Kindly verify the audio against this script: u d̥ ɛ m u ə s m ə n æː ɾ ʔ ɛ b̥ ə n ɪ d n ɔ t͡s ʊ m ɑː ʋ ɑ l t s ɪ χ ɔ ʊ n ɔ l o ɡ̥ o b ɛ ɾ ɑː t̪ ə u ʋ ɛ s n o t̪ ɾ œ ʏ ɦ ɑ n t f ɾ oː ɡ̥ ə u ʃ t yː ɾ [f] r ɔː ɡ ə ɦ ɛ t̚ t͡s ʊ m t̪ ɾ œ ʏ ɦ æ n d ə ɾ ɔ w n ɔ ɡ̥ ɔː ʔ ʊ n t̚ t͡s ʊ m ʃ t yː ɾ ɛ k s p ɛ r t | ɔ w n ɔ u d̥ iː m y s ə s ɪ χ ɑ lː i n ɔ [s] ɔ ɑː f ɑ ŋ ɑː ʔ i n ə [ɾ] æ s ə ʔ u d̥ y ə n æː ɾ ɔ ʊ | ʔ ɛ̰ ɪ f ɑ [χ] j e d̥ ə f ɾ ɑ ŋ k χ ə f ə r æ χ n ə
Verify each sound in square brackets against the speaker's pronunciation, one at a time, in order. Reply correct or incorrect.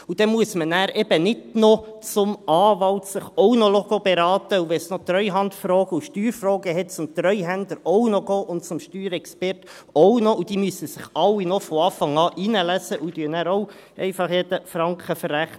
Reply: correct, incorrect, incorrect, correct

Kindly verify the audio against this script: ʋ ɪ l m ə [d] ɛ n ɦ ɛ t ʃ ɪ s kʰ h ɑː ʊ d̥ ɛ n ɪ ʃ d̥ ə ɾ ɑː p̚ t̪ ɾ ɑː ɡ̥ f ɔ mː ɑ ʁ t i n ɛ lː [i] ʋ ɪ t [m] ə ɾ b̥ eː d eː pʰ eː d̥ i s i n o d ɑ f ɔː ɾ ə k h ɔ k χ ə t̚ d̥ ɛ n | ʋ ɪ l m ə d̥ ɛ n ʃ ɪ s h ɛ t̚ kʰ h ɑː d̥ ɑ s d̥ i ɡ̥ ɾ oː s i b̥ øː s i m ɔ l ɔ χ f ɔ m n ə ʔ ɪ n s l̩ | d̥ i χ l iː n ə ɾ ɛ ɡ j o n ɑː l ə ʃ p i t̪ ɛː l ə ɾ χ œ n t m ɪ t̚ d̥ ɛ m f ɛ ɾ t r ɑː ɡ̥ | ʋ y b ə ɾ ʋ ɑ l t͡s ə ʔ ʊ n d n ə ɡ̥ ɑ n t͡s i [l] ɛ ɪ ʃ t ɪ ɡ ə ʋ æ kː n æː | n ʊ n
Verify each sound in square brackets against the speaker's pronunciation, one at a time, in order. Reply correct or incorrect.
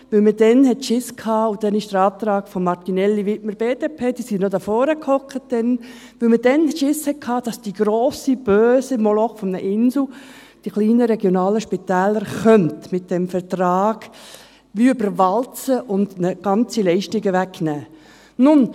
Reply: correct, correct, correct, correct

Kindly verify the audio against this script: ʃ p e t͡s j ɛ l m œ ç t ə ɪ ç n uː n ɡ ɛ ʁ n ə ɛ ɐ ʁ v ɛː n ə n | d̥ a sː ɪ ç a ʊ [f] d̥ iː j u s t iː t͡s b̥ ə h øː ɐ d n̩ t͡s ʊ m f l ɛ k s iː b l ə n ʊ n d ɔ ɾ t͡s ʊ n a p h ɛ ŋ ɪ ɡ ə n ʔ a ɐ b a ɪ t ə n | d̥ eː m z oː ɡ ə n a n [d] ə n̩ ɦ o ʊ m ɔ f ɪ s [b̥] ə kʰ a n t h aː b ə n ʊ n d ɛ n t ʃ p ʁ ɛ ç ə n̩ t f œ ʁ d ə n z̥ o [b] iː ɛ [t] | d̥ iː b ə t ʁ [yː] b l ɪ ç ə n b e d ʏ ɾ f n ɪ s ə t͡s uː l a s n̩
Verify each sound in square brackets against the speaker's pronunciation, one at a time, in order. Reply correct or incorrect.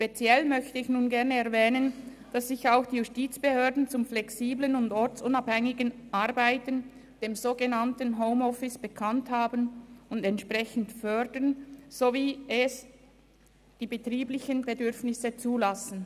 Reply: incorrect, incorrect, correct, incorrect, incorrect, incorrect

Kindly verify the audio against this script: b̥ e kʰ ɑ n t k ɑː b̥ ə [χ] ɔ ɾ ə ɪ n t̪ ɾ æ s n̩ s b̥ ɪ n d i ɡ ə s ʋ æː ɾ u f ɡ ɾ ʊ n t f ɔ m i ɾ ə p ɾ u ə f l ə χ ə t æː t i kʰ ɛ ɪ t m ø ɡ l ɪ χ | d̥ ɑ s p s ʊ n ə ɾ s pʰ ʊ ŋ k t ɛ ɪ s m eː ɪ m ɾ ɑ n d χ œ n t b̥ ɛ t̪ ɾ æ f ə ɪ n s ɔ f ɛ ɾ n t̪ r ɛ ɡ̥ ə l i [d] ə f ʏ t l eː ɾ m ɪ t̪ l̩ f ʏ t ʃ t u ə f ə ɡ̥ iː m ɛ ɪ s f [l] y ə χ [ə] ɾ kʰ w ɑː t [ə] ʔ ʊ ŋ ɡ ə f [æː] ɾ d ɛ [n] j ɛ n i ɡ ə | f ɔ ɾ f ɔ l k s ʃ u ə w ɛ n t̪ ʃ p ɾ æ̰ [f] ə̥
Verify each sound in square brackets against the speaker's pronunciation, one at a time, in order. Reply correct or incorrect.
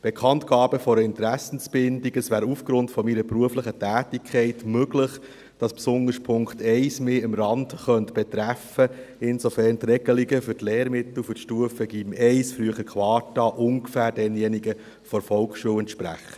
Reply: incorrect, incorrect, incorrect, correct, incorrect, correct, correct, incorrect

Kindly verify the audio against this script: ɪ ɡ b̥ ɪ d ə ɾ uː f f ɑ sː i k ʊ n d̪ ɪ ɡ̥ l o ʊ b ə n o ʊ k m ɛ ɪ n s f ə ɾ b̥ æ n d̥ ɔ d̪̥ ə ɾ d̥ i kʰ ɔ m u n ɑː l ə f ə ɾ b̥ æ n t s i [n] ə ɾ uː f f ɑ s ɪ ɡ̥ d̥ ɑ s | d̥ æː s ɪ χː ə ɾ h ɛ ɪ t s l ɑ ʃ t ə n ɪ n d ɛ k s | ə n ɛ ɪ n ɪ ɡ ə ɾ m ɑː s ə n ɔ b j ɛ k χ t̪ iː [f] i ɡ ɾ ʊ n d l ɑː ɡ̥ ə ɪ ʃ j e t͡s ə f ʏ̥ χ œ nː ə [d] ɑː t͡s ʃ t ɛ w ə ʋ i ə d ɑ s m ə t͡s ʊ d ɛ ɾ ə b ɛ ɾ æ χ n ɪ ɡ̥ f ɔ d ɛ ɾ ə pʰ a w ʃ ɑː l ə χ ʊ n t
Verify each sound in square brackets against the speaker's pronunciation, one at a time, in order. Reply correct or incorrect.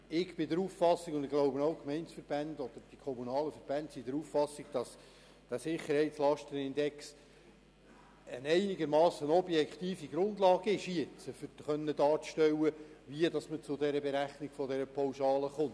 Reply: incorrect, correct, correct

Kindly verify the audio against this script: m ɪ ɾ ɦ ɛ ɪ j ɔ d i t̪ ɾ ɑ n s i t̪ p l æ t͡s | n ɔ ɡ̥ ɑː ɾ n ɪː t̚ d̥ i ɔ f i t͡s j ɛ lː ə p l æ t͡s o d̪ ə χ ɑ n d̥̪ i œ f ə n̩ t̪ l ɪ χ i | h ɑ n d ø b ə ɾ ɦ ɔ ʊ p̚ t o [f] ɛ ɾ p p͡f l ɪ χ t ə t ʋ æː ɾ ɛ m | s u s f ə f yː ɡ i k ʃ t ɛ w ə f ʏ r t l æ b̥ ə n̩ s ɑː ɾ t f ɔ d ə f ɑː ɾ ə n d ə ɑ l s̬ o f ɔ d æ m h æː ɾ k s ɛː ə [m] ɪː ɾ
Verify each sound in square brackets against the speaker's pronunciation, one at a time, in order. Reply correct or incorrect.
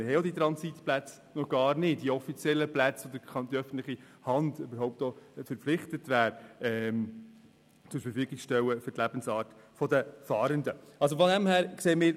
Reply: correct, correct

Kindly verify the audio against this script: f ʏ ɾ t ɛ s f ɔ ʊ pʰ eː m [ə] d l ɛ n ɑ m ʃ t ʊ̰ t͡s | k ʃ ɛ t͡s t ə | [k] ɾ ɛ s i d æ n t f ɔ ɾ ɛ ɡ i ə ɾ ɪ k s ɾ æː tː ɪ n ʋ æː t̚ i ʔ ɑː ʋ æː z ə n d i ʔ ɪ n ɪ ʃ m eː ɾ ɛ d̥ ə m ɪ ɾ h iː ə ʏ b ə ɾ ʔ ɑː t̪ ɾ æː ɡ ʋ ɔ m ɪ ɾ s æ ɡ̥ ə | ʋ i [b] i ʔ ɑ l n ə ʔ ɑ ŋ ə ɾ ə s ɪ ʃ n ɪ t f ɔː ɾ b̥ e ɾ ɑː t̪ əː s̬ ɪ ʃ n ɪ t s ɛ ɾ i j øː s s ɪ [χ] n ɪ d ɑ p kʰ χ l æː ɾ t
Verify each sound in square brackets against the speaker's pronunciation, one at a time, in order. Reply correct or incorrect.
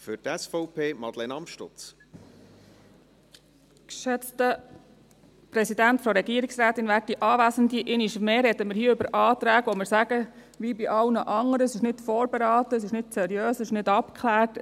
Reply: incorrect, incorrect, correct, incorrect

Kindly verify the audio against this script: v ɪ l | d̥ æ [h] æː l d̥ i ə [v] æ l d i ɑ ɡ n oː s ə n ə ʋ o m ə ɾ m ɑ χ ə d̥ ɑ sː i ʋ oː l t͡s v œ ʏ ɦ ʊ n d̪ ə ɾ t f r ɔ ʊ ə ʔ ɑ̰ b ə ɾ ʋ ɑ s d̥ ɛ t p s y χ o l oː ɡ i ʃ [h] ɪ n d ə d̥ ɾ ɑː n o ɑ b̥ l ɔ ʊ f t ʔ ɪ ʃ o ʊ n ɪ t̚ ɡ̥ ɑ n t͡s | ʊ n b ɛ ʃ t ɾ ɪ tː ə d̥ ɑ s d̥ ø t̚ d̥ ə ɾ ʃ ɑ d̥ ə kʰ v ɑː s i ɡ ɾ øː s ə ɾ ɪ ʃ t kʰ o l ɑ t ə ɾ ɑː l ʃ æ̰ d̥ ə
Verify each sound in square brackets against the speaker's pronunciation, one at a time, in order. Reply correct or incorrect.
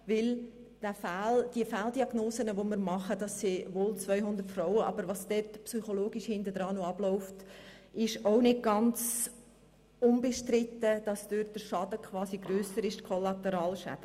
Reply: incorrect, incorrect, correct

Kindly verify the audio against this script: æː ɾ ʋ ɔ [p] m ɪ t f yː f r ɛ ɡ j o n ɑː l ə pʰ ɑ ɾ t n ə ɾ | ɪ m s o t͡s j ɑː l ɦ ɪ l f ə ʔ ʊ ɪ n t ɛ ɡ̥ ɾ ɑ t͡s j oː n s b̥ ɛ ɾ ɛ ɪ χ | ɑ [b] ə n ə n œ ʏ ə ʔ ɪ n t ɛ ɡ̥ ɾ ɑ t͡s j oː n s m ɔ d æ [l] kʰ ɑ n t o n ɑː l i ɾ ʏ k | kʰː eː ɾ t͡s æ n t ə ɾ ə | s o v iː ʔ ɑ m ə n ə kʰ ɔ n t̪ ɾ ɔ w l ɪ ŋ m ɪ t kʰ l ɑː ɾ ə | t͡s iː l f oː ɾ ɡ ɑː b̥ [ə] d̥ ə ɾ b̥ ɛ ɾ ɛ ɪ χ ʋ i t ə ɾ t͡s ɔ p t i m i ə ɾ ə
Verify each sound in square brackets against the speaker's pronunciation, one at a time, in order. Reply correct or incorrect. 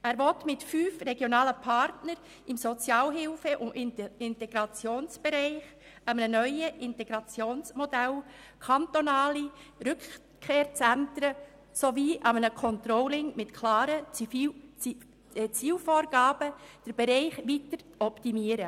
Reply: incorrect, incorrect, correct, correct

